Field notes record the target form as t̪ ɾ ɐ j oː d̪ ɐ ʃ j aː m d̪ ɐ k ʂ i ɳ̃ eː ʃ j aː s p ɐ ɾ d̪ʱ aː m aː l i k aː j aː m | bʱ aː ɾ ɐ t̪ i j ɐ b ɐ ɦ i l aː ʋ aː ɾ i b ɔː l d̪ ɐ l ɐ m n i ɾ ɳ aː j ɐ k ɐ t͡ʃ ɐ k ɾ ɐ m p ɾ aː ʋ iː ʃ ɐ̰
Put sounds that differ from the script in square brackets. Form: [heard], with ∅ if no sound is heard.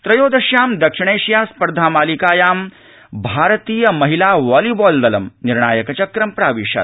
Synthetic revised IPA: t̪ ɾ ɐ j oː d̪ ɐ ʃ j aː m d̪ ɐ k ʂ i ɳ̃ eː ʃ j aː s p ɐ ɾ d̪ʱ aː m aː l i k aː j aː m | bʱ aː ɾ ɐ t̪ [iː] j ɐ [m] ɐ ɦ i l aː ʋ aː [l] i b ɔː l d̪ ɐ l ɐ m n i ɾ ɳ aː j ɐ k ɐ t͡ʃ ɐ k ɾ ɐ m p ɾ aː ʋ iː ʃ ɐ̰